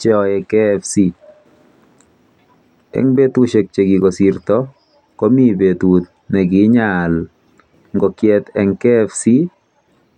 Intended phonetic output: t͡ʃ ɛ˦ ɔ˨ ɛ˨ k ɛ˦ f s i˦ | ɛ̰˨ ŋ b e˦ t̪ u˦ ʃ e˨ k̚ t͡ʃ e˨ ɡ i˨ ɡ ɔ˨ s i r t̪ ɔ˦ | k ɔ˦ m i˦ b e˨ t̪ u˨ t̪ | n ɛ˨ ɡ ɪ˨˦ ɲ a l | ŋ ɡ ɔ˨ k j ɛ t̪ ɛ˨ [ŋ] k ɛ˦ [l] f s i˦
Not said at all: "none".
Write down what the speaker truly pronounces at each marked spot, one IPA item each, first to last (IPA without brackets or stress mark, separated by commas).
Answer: ŋ, none